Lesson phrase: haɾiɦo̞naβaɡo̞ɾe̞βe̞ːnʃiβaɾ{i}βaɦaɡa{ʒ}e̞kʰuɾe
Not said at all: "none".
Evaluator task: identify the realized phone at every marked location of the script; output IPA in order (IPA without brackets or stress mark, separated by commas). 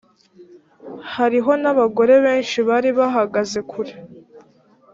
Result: i, z